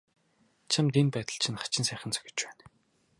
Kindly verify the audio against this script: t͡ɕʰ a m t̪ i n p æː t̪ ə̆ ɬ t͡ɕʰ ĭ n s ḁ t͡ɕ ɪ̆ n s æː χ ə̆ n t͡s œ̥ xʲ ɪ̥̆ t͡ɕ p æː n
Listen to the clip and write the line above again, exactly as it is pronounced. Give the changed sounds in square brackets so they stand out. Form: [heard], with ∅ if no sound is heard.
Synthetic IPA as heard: t͡ɕʰ a m t̪ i n p æː t̪ ə̆ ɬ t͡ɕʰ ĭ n [χ] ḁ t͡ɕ ɪ̆ n s æː χ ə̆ n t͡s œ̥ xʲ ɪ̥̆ t͡ɕ p æː n